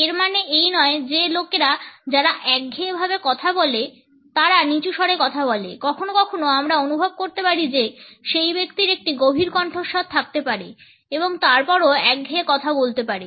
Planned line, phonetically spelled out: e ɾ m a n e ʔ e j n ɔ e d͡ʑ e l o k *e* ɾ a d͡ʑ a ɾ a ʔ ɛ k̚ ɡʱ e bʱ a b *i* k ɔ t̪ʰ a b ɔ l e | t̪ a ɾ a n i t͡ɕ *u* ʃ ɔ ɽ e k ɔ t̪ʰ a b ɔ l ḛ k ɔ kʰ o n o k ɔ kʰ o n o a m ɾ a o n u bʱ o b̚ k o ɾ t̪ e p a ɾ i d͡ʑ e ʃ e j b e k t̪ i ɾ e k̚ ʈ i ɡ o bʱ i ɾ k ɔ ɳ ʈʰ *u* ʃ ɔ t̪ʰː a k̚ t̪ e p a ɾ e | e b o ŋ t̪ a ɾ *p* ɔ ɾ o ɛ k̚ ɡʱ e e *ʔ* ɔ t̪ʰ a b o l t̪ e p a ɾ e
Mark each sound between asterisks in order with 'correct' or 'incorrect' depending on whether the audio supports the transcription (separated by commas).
correct, incorrect, correct, incorrect, correct, incorrect